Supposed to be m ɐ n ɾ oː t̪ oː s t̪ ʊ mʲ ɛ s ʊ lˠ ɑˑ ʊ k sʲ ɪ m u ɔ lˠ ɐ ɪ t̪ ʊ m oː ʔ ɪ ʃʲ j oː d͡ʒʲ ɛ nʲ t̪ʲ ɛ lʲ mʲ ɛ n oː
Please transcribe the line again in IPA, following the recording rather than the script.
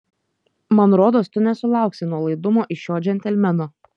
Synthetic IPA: m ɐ n ɾ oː d̪ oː s t̪ ʊ nʲ ɛ s ʊ lˠ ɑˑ ʊ k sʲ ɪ n u ɔ lˠ ɐ ɪ d̪ ʊ m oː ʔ ɪ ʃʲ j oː d͡ʒʲ ɛ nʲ t̪ʲ ɛ lʲ mʲ ɛ n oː